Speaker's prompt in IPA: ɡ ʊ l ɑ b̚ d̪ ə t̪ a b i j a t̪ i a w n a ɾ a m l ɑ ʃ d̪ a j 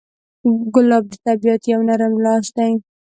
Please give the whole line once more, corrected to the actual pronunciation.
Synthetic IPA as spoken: ɡ ʊ l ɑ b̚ d̪ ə t̪ a b i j a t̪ j a w n a ɾ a m l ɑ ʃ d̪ a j